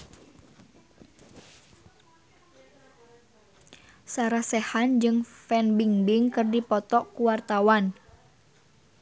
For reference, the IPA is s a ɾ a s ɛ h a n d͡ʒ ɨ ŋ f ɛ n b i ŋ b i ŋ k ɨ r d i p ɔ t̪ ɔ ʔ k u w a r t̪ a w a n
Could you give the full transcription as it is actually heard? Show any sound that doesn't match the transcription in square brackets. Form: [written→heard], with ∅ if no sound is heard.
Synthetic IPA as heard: s a ɾ a s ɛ h a n d͡ʒ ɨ ŋ f ɛ n b i ŋ b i ŋ k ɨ r d i p ɔ t̪ ɔ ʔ k u w a r t̪ a w a n

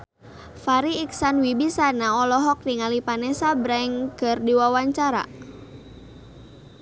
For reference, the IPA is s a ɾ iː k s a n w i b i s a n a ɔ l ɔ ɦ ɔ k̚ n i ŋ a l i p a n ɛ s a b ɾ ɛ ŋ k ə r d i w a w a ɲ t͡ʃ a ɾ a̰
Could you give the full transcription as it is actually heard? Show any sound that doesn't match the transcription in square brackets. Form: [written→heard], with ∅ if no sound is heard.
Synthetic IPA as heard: [s→f] a ɾ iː k s a n w i b i s a n a ɔ l ɔ ɦ ɔ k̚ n i ŋ a l i p a n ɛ s a b ɾ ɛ ŋ k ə r d i w a w a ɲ t͡ʃ a ɾ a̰

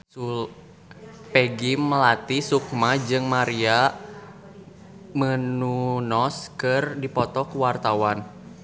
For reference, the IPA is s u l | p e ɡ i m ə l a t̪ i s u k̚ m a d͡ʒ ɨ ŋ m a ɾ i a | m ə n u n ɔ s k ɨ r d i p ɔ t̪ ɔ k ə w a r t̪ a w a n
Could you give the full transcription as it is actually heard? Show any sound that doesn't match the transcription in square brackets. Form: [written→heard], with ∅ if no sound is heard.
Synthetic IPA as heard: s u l | p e ɡ i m ə l a t̪ i s u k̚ m a d͡ʒ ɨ ŋ m a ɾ i a | m ə n u n ɔ s k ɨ r d i p ɔ t̪ ɔ k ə w a r t̪ a w a n

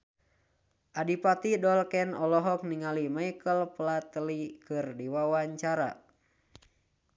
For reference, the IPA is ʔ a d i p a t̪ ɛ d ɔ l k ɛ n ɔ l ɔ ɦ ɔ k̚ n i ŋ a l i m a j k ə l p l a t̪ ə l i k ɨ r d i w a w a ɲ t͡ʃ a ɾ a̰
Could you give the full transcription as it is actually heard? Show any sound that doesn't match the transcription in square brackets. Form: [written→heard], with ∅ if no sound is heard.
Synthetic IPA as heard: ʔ a d i p a t̪ [ɛ→i] d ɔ l k ɛ n ɔ l ɔ ɦ ɔ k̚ n i ŋ a l i m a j k ə l p l a t̪ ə l i k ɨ r d i w a w a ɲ t͡ʃ a ɾ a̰

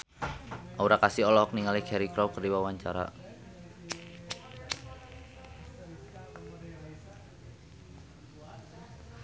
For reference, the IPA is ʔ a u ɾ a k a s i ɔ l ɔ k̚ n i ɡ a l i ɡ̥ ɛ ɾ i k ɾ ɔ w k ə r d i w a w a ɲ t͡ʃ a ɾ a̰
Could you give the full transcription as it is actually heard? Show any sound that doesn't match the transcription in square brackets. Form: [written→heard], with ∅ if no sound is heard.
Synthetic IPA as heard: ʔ a u ɾ a k a s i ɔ l ɔ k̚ n i [ɡ→ŋ] a l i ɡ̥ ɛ ɾ i k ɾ ɔ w k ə r d i w a w a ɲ t͡ʃ a ɾ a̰

